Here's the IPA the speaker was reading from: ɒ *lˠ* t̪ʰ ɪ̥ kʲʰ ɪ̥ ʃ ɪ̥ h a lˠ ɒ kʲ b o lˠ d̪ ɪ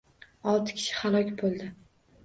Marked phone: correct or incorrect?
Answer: correct